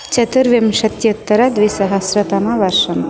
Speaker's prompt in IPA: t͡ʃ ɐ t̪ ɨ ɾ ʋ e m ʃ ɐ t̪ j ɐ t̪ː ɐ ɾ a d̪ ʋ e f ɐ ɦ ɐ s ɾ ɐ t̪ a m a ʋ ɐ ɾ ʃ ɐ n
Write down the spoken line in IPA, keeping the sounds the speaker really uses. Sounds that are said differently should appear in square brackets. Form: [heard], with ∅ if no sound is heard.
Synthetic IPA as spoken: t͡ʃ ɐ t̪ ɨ ɾ ʋ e m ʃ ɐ t̪ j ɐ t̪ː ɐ ɾ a d̪ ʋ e [s] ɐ ɦ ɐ s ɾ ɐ t̪ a m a ʋ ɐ ɾ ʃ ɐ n

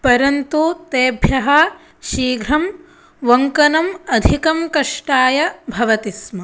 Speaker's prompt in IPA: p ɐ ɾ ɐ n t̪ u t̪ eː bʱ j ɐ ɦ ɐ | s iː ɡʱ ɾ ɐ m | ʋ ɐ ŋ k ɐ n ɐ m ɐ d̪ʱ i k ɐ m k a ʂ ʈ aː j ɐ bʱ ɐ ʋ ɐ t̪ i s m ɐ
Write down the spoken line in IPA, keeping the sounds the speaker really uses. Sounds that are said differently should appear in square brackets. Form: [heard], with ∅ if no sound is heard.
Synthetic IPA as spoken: p ɐ ɾ ɐ n t̪ u t̪ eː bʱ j ɐ ɦ ɐ | [ʃ] iː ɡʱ ɾ ɐ m | ʋ ɐ ŋ k ɐ n ɐ m ɐ d̪ʱ i k ɐ m k [ɐ] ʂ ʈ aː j ɐ bʱ ɐ ʋ ɐ t̪ i s m ɐ

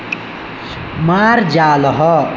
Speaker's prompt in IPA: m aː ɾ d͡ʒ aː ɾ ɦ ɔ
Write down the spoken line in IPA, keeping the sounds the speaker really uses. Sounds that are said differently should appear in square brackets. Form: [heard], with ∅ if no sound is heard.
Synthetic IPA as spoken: m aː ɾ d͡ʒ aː [l] ɦ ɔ

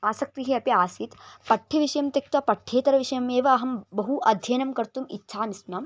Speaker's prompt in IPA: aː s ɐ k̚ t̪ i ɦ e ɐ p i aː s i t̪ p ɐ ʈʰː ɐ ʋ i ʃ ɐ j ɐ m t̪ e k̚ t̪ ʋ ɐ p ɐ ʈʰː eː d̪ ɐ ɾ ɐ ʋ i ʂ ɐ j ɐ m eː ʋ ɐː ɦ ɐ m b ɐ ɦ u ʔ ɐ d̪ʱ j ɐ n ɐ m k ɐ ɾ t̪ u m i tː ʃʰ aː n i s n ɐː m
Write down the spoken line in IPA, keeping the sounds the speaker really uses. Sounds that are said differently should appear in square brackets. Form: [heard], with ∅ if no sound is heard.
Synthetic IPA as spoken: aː s ɐ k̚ t̪ i ɦ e ɐ p i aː s i t̪ p ɐ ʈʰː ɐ ʋ i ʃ ɐ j ɐ m t̪ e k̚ t̪ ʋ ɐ p ɐ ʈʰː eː [t̪] ɐ ɾ ɐ ʋ i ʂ ɐ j ɐ m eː ʋ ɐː ɦ ɐ m b ɐ ɦ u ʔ ɐ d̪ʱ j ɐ n ɐ m k ɐ ɾ t̪ u m i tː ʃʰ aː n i s n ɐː m

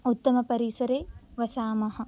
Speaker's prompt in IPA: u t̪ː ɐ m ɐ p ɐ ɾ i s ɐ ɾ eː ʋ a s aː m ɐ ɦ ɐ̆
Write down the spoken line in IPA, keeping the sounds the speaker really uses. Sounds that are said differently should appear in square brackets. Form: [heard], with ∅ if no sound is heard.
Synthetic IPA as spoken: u t̪ː ɐ m ɐ p ɐ ɾ i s ɐ ɾ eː ʋ [ɐ] s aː m ɐ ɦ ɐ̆

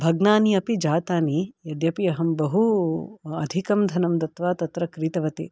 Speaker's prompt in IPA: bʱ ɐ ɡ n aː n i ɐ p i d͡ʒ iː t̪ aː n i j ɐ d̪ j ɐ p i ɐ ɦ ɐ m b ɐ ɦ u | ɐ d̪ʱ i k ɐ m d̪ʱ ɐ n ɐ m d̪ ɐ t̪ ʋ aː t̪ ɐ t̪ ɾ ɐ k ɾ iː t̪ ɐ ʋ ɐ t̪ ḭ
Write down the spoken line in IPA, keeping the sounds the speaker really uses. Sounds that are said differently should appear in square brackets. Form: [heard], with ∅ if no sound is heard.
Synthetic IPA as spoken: bʱ ɐ ɡ n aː n i ɐ p i d͡ʒ [aː] t̪ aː n i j ɐ d̪ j ɐ p i ɐ ɦ ɐ m b ɐ ɦ u | ɐ d̪ʱ i k ɐ m d̪ʱ ɐ n ɐ m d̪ ɐ t̪ ʋ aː t̪ ɐ t̪ ɾ ɐ k ɾ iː t̪ ɐ ʋ ɐ t̪ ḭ

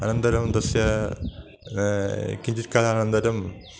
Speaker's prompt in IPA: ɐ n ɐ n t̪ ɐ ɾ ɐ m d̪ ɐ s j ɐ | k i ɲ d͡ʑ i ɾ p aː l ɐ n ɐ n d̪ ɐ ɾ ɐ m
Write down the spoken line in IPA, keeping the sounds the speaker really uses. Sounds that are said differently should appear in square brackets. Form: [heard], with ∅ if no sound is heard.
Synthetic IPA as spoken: ɐ n ɐ n [d̪] ɐ ɾ ɐ m d̪ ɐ s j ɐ | k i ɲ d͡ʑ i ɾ [k] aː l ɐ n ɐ n d̪ ɐ ɾ ɐ m

